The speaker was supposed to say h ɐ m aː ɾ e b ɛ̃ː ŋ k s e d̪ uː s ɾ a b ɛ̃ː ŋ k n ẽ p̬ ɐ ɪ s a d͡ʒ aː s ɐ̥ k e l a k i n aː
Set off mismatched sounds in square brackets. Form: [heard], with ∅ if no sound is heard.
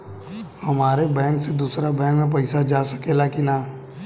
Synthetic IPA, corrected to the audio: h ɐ m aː ɾ e b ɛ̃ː ŋ k s e d̪ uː s ɾ a b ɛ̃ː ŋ k [m] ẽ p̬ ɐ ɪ s a d͡ʒ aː s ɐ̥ k e l a k i n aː

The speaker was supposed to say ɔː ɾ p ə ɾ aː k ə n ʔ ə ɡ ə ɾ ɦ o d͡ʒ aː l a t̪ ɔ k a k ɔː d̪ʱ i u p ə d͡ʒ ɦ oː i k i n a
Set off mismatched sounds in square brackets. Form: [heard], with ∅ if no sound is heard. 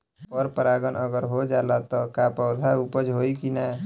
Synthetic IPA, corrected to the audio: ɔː ɾ p ə ɾ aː [ɡ] ə n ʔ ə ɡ ə ɾ ɦ o d͡ʒ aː l a t̪ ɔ k a [p] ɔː d̪ʱ [a] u p ə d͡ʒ ɦ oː i k i n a

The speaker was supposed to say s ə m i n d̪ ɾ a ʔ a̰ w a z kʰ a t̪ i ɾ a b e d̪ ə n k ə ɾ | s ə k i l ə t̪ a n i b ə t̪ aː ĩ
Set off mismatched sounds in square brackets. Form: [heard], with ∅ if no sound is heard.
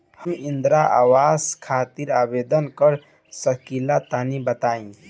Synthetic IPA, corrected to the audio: [h] ə m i n d̪ ɾ a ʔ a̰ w a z kʰ a t̪ i ɾ a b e d̪ ə n k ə ɾ | s ə k i l [a] t̪ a n i b ə t̪ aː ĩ

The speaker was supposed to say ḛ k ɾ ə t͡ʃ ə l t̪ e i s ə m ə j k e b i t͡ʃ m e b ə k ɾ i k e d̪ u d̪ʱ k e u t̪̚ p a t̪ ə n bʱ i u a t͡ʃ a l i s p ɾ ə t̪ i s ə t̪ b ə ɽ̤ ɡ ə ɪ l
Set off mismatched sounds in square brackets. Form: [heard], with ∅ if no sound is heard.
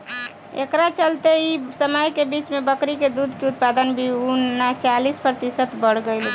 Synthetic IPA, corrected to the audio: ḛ k ɾ [a] t͡ʃ ə l t̪ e i s ə m ə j k e b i t͡ʃ m e b ə k ɾ i k e d̪ u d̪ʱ k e u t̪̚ p a [d̪] ə n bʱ i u a t͡ʃ a l i s p ɾ ə t̪ i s ə t̪ b ə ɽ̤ ɡ ə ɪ l

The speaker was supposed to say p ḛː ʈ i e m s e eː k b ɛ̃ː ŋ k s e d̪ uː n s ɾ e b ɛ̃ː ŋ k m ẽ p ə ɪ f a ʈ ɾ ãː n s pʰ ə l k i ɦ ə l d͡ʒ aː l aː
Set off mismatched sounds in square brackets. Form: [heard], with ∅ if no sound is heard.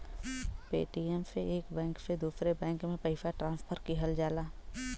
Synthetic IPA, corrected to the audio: p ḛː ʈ i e m s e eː k b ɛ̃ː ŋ k s e d̪ uː [∅] s ɾ e b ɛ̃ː ŋ k m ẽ p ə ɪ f a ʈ ɾ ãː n s pʰ ə [ɾ] k i ɦ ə l d͡ʒ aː l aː

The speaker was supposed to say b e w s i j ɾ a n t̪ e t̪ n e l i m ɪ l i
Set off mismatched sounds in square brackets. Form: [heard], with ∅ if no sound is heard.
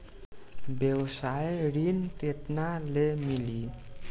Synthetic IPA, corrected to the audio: b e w s [a] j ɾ [i] n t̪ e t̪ n [a] l [e] m [i] l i

